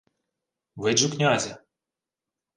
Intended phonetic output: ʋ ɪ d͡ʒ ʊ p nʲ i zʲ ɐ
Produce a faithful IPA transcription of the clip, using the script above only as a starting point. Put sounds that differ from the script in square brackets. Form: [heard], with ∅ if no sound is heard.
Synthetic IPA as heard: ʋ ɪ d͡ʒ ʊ [k] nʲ [a] zʲ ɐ